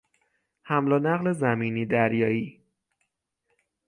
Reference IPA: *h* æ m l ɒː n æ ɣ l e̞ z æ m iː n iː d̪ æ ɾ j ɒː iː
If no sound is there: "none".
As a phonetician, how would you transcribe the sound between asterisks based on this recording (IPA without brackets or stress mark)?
h